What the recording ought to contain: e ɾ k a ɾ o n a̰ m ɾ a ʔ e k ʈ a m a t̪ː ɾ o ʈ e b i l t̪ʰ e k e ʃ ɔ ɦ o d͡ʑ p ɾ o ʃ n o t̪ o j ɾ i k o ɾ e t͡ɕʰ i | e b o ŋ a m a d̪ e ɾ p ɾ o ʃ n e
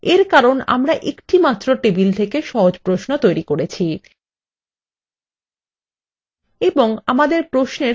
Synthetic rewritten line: e ɾ k a ɾ o n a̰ m ɾ a ʔ e k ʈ i m a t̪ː ɾ o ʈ e b i l t̪ʰ e k e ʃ ɔ ɦ o d͡ʑ p ɾ o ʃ n o t̪ o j ɾ i k o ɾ e t͡ɕʰ i | e b o ŋ a m a d̪ e ɾ p ɾ o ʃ n e

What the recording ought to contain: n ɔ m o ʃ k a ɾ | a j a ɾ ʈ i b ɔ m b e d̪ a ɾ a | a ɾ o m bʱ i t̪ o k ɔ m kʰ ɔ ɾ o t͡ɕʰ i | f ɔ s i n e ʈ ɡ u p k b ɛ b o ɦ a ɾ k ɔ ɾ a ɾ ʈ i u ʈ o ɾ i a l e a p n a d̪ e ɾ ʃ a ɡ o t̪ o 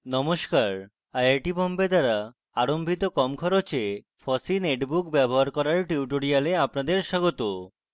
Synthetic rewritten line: n ɔ m o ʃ k a ɾ | a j a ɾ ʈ i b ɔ m b e d̪ a ɾ a | a ɾ o m bʱ i t̪ o k ɔ m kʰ ɔ ɾ o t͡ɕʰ e | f ɔ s i n e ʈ b u k b ɛ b o ɦ a ɾ k ɔ ɾ a ɾ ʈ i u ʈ o ɾ i a l e a p n a d̪ e ɾ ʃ a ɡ o t̪ o

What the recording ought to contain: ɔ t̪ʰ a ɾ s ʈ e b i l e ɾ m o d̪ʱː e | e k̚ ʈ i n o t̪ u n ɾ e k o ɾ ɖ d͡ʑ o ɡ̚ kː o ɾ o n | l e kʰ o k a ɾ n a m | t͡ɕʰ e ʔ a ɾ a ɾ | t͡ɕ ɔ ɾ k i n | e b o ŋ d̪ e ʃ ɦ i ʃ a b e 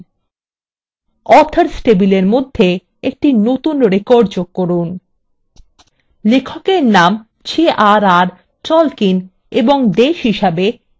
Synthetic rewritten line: ɔ t̪ʰ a ɾ s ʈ e b i l e ɾ m o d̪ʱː e | e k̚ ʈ i n o t̪ u n ɾ e k o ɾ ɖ d͡ʑ o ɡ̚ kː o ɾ u n | l e kʰ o k e ɾ n a m | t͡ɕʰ e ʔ a ɾ a ɾ | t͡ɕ ɔ l k i n | e b o ŋ d̪ e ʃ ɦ i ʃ a b e

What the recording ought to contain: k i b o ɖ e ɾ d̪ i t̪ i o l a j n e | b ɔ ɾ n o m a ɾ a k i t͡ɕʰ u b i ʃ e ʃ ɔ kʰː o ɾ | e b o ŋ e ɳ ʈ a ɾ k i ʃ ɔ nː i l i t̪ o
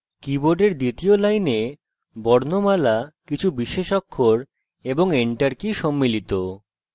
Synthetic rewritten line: k i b o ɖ e ɾ d̪ i t̪ i o l a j n e | b ɔ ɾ n o m a l a k i t͡ɕʰ u b i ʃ e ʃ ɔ kʰː o ɾ | e b o ŋ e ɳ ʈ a ɾ k i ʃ ɔ mː i l i t̪ o

